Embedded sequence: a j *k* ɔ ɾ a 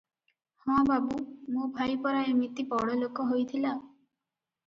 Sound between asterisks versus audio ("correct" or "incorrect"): incorrect